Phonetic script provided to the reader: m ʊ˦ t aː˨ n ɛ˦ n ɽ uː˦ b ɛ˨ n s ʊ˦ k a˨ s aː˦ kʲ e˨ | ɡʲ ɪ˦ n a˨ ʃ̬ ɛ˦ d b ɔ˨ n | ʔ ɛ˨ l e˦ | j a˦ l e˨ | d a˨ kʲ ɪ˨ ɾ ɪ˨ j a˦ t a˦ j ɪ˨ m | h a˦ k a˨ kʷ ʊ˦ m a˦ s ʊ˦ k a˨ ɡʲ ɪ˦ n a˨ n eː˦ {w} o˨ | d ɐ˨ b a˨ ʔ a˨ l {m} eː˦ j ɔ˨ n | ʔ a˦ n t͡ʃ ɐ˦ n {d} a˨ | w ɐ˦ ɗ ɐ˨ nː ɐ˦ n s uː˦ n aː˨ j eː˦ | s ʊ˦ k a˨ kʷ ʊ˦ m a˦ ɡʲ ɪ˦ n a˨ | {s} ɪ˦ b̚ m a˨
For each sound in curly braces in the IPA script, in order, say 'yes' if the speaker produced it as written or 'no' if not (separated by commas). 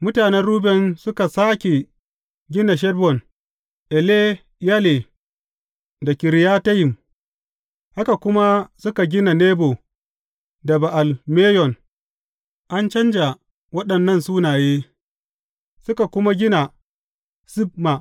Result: no, yes, no, yes